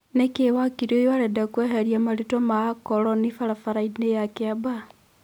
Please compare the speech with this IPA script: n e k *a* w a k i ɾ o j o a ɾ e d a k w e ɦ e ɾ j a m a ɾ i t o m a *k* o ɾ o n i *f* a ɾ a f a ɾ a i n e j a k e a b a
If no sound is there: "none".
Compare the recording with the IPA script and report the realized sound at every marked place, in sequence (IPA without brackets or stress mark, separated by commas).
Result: e, k, f